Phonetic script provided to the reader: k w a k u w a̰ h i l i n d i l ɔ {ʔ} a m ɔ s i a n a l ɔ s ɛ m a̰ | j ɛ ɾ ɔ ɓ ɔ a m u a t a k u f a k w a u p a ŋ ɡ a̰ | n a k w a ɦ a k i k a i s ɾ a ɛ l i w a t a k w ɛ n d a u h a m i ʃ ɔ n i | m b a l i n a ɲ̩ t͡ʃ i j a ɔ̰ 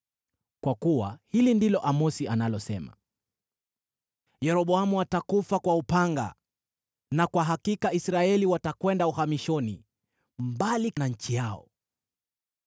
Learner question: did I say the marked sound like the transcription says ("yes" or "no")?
yes